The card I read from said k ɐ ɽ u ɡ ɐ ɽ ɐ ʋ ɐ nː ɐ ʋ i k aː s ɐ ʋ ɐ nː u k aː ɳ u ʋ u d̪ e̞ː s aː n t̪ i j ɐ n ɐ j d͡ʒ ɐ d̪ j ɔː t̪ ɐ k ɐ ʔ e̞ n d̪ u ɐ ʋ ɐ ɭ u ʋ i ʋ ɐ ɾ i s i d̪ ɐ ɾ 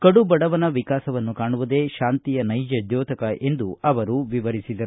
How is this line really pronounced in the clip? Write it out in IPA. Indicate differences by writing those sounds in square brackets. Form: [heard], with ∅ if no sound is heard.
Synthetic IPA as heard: k ɐ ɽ u [b] ɐ ɽ ɐ ʋ ɐ [n] ɐ ʋ i k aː s ɐ ʋ ɐ nː u k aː ɳ u ʋ u d̪ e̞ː [ʃ] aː n t̪ i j ɐ n ɐ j d͡ʒ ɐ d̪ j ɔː t̪ ɐ k ɐ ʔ e̞ n d̪ u ɐ ʋ ɐ [ɾ] u ʋ i ʋ ɐ ɾ i s i d̪ ɐ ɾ